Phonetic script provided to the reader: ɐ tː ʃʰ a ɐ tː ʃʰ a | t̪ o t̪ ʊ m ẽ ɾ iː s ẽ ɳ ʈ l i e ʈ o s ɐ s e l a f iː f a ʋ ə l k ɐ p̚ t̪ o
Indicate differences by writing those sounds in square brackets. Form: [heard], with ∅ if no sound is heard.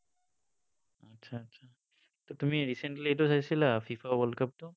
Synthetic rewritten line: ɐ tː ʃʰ a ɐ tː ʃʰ a | t̪ o t̪ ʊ m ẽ ɾ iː s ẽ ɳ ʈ l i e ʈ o s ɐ s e l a f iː f a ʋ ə l k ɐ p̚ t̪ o